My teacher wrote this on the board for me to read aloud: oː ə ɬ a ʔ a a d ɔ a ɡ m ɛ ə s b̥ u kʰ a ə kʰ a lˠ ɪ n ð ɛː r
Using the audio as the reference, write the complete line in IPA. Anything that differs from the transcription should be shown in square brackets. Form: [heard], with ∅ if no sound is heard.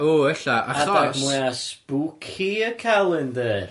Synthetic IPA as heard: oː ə ɬ a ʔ a a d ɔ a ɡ m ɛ [a] s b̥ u kʰ [i] ə kʰ a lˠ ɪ n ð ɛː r